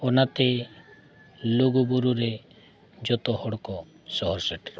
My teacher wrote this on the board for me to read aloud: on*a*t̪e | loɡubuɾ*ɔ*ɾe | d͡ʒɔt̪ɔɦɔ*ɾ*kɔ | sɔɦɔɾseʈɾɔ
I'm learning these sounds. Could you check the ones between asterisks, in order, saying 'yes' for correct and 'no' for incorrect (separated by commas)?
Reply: yes, no, no